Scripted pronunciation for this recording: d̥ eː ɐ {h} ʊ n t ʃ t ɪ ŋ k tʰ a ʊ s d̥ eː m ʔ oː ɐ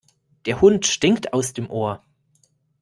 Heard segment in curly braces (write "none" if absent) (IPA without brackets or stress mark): h